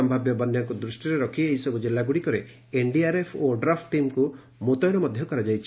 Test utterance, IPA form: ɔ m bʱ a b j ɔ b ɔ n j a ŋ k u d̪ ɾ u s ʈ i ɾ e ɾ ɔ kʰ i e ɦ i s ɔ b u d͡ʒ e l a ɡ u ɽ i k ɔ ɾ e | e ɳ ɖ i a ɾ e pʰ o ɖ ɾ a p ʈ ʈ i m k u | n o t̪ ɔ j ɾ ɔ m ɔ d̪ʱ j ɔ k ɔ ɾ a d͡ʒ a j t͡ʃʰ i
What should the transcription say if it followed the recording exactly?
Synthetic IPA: ɔ m bʱ a b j ɔ b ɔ n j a ŋ k u d̪ ɾ u s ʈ i ɾ e ɾ ɔ kʰ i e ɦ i s ɔ b u d͡ʒ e l a ɡ u ɽ i k ɔ ɾ e | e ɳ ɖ i a ɾ e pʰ o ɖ ɾ a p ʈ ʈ i m k u | m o t̪ ɔ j ɾ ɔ m ɔ d̪ʱ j ɔ k ɔ ɾ a d͡ʒ a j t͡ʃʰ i